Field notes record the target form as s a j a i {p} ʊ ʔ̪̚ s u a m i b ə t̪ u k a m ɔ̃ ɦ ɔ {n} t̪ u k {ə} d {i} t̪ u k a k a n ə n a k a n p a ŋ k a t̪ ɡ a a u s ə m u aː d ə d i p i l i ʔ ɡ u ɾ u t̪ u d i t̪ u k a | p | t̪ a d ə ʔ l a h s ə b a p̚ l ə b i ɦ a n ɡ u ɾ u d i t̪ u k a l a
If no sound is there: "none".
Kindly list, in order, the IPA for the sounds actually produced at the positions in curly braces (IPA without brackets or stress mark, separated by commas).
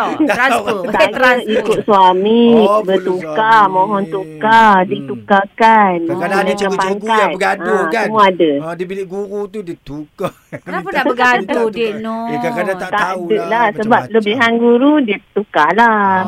k, n, a, i